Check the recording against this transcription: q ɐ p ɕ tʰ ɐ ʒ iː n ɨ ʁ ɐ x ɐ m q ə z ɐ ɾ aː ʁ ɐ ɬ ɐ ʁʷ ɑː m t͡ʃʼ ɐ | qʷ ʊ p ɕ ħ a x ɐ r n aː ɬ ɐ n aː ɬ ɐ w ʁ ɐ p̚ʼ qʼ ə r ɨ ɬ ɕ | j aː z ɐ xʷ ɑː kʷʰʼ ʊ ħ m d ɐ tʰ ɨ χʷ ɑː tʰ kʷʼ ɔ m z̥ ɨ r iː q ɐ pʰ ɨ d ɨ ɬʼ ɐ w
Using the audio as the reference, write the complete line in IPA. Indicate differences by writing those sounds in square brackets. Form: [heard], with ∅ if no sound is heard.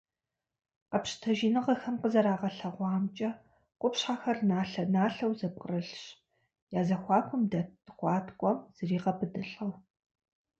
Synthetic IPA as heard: q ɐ p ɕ tʰ ɐ ʒ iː n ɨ ʁ ɐ x ɐ m q ə z ɐ ɾ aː ʁ ɐ ɬ ɐ ʁʷ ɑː m t͡ʃʼ ɐ | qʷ ʊ p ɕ ħ a x ɐ r n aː ɬ ɐ n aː ɬ ɐ w [z] ɐ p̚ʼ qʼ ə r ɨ ɬ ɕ | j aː z ɐ xʷ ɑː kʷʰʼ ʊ [∅] m d ɐ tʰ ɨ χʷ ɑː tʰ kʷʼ ɔ m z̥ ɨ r iː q ɐ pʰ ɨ d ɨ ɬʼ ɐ w